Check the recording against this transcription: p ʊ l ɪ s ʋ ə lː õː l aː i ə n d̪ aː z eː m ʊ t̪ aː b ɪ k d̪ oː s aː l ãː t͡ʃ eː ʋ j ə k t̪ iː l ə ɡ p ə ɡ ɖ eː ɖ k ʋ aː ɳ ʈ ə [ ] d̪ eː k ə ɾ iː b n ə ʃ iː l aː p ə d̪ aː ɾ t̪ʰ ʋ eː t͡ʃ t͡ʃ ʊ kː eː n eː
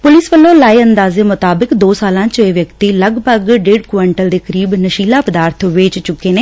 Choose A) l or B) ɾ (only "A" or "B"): A